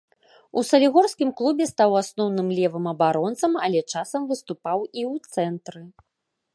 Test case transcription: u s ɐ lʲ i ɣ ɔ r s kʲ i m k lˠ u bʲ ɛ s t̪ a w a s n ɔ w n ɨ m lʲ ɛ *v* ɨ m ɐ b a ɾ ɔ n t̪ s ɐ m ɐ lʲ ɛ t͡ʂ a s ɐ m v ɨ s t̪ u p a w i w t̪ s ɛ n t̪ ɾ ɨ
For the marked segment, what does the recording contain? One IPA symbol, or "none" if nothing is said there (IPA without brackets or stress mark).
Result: v